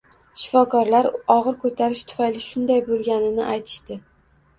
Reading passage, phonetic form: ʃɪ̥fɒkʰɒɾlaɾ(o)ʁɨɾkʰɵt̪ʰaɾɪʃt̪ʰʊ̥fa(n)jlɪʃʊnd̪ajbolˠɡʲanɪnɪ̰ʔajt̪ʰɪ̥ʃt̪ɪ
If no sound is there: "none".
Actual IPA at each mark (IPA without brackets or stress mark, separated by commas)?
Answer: ɒ, none